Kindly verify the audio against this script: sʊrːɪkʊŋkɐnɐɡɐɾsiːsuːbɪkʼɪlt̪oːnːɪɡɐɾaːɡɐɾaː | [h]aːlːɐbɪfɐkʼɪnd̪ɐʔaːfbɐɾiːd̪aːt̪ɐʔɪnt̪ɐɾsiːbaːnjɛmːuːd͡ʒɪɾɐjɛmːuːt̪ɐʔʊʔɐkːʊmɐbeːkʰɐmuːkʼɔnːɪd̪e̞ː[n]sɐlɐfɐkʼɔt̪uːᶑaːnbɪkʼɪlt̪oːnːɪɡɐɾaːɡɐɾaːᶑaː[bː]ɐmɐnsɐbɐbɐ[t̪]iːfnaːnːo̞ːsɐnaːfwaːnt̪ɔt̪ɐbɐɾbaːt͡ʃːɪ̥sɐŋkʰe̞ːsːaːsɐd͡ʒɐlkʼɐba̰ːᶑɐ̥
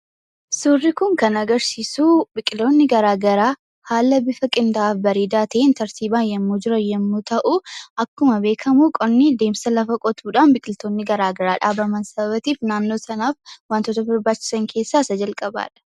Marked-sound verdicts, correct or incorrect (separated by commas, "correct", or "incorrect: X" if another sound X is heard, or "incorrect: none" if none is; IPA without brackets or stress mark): correct, incorrect: m, incorrect: b, correct